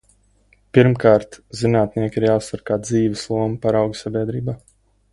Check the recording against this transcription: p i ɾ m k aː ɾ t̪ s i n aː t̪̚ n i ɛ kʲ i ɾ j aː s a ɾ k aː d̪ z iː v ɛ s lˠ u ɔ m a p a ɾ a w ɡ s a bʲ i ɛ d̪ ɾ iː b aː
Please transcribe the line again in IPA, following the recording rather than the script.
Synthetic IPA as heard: p i ɾ m k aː ɾ t̪ z i n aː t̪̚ n i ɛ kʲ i ɾ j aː s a ɾ k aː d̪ z iː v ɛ s lˠ u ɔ m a p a ɾ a w ɡ s a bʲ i ɛ d̪ ɾ iː b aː

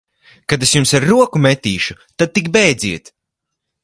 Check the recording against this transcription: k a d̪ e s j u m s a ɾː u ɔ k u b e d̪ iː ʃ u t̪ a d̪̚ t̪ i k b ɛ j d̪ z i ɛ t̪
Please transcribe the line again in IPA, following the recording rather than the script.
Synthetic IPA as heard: k a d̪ e s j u m s a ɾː u ɔ k u m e t̪ iː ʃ u t̪ a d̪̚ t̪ i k b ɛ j d̪ z i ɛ t̪

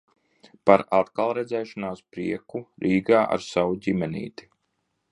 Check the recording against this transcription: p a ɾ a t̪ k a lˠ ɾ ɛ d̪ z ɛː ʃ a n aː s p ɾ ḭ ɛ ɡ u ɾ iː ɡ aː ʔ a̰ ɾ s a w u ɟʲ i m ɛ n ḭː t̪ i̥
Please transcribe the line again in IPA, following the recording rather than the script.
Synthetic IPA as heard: p a ɾ a t̪ k a lˠ ɾ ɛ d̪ z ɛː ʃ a n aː s p ɾ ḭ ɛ k u ɾ iː ɡ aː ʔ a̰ ɾ s a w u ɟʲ i m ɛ n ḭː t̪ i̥

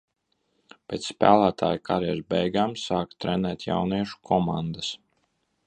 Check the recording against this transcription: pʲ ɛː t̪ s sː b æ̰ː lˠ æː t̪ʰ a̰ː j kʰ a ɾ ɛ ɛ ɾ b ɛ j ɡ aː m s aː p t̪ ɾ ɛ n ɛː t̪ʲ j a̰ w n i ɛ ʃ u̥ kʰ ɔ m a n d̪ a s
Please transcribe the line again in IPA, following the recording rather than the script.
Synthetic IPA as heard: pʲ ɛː t̪ s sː p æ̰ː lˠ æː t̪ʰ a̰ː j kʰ a ɾ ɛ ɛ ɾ b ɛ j ɡ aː m s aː k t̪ ɾ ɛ n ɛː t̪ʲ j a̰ w n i ɛ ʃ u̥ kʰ ɔ m a n d̪ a s

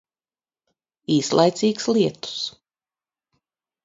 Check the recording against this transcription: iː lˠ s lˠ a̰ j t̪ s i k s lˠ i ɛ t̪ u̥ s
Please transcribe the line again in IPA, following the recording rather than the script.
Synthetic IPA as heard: iː s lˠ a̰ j t̪ s iː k s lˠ i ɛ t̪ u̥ s

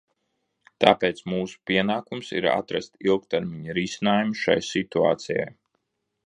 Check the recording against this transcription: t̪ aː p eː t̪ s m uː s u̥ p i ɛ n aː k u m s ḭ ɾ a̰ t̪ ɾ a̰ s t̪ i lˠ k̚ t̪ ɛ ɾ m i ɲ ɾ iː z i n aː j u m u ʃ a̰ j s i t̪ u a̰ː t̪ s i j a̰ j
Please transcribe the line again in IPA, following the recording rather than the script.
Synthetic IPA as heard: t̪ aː p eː t̪ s m uː s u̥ p i ɛ n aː k u m s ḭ ɾ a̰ t̪ ɾ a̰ s t̪ i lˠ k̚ t̪ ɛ ɾ m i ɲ ɾ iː s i n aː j u m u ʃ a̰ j s i t̪ u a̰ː t̪ s i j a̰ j

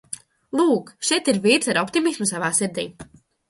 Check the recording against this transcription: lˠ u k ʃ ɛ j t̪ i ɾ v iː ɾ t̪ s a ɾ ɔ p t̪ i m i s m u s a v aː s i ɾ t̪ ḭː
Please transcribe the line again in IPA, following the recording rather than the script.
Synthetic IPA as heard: lˠ uː k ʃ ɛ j t̪ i ɾ v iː ɾ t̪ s a ɾ ɔ p t̪ i m i s m u s a v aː s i ɾ d̪ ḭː

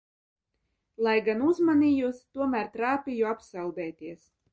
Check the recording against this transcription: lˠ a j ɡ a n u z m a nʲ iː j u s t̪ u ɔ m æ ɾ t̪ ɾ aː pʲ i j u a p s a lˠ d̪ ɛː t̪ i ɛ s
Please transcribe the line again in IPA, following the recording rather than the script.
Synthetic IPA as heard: lˠ a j ɡ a n u z m a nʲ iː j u s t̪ u ɔ m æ ɾ t̪ ɾ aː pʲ i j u a p s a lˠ d̪ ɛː t̪ i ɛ s

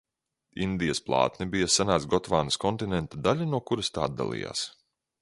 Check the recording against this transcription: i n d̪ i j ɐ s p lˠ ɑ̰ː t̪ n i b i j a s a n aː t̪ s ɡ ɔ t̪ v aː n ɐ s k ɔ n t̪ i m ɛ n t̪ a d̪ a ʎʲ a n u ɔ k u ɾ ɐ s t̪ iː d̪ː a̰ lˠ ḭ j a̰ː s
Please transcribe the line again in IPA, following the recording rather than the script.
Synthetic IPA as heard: i n d̪ i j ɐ s p lˠ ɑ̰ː t̪ n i b i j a s a n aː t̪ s ɡ ɔ t̪ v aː n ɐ s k ɔ n t̪ i n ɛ n t̪ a d̪ a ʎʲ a n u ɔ k u ɾ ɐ s t̪ aː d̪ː a̰ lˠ ḭ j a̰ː s

